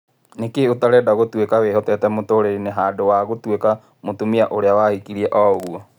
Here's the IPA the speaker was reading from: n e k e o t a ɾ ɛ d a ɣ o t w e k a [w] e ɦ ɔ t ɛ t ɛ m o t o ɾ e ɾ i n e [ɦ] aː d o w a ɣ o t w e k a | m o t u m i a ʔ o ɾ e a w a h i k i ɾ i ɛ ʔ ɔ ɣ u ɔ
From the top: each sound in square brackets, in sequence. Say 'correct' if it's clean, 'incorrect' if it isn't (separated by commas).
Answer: correct, correct